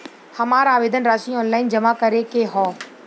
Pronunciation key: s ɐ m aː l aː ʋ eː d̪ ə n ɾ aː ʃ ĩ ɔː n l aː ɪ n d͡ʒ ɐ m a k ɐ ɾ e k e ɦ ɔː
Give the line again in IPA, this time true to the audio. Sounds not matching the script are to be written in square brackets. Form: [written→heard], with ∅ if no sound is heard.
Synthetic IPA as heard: [s→h] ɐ m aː [l→ɾ] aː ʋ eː d̪ ə n ɾ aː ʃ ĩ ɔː n l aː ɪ n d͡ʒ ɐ m a k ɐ ɾ e k e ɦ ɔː